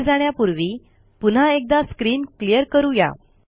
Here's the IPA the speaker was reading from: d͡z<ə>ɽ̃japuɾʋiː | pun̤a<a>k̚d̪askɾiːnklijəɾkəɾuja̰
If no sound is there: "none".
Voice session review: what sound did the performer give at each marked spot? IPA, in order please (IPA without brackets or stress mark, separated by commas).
a, e